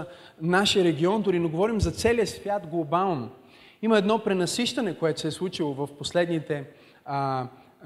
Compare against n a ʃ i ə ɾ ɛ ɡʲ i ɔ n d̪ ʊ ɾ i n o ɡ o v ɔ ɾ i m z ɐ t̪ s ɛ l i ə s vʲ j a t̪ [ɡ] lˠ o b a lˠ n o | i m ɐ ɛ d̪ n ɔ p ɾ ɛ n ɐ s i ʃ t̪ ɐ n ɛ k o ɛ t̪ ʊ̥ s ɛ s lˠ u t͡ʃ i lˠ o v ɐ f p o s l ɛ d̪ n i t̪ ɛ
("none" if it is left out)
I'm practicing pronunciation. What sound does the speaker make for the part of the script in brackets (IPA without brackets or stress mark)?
ɡ